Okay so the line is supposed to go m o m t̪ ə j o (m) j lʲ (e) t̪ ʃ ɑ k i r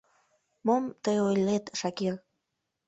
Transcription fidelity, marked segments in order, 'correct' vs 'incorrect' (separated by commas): incorrect, correct